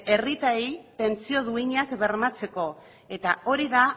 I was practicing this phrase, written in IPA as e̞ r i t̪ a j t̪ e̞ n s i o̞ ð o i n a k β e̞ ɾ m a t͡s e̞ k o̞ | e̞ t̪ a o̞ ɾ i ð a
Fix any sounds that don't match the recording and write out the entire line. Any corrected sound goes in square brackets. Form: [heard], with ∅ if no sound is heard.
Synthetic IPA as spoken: e̞ r i t̪ a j t̪ e̞ n [t͡s] i o̞ ð [u] i [ɲ] a k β e̞ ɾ m a t͡s e̞ k o̞ | e̞ t̪ a o̞ ɾ i ð a